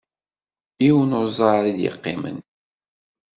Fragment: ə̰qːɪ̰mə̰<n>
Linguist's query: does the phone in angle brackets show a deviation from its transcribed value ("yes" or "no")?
no